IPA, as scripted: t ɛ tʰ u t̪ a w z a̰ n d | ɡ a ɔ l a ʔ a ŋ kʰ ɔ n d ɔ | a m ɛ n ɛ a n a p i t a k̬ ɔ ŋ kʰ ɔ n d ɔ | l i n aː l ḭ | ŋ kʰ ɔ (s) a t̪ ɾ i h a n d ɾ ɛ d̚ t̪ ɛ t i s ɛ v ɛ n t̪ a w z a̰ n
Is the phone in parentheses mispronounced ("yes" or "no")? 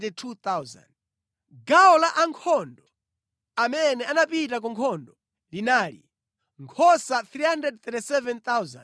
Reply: no